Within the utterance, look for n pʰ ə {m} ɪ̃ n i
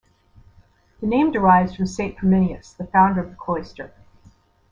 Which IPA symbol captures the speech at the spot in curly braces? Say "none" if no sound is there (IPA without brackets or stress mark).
m